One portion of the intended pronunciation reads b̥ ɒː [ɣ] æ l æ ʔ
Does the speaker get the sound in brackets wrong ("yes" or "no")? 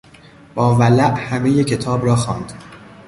yes